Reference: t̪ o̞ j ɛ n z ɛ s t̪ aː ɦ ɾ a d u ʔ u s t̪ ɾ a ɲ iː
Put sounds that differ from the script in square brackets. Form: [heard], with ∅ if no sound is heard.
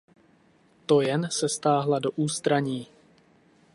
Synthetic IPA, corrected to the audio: t̪ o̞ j ɛ n [s] ɛ s t̪ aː ɦ [l] a d [o] ʔ [uː] s t̪ ɾ a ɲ iː